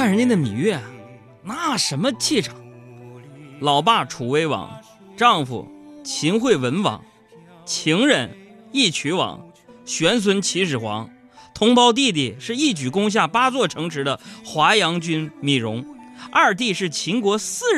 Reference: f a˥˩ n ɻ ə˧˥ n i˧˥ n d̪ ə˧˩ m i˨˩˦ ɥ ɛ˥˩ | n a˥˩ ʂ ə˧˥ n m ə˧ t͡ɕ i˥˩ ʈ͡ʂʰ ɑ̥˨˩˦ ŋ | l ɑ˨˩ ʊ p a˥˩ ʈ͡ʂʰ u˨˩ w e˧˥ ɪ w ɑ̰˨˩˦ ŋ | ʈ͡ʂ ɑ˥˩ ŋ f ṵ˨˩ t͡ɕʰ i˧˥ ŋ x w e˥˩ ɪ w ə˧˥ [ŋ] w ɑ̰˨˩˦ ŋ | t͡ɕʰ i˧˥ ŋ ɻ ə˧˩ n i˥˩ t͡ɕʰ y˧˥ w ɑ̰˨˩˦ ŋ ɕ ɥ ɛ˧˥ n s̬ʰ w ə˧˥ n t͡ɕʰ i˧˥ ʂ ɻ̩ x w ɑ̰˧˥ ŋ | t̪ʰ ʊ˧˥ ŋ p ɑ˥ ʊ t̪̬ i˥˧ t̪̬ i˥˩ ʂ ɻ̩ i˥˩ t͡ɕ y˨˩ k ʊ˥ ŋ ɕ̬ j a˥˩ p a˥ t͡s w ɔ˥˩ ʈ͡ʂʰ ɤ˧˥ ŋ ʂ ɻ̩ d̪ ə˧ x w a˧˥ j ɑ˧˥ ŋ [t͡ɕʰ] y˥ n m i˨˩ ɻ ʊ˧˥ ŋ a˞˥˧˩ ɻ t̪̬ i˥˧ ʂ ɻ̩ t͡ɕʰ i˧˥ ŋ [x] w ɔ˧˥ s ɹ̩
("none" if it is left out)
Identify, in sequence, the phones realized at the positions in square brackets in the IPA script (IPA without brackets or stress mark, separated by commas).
n, t͡ɕ, k